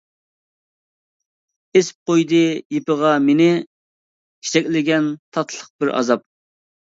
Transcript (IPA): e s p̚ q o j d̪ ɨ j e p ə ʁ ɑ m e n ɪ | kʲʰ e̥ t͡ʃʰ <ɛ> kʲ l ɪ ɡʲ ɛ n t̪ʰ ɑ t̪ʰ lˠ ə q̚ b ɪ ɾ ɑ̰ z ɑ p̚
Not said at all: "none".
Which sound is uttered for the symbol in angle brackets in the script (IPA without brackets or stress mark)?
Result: ɛ